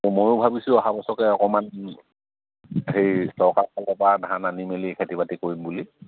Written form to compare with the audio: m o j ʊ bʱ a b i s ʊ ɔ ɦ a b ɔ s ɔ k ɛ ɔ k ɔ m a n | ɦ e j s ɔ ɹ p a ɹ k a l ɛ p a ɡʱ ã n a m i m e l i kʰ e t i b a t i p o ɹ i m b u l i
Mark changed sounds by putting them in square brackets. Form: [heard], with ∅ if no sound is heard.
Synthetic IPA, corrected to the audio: m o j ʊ bʱ a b i s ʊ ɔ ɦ a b ɔ s ɔ k ɛ ɔ k ɔ m a n | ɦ e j s ɔ ɹ [k] a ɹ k a l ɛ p a [dʱ] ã n a [n] i m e l i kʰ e t i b a t i [k] o ɹ i m b u l i